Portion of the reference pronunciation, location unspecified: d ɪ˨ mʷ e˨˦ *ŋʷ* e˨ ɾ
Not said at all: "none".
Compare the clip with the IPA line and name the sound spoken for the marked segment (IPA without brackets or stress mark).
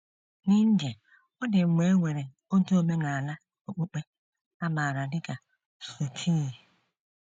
ŋʷ